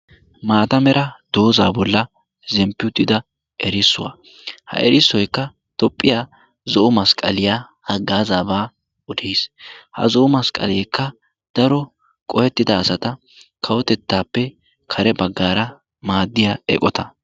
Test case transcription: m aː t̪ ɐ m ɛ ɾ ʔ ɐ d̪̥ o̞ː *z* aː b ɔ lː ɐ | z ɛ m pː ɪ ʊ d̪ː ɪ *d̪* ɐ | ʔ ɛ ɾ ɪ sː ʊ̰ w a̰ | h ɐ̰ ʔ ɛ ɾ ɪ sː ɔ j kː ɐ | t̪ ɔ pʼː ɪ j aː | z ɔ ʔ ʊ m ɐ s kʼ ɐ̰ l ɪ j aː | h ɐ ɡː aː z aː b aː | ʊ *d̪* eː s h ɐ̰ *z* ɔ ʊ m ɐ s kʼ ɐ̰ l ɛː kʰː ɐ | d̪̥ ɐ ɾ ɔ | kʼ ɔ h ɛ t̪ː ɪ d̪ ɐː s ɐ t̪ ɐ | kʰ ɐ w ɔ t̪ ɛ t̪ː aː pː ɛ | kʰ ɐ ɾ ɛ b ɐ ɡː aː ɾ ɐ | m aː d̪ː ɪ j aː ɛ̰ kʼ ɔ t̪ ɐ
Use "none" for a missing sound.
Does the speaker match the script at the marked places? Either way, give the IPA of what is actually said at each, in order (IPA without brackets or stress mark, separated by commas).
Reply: z, d̪, d̪, z